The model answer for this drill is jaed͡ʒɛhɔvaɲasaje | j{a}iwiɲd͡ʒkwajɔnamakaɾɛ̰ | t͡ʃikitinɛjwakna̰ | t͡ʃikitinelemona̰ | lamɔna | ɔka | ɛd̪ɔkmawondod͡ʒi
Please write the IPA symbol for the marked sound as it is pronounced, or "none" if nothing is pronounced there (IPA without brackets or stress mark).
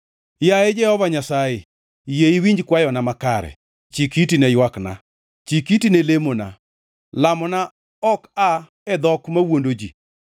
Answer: e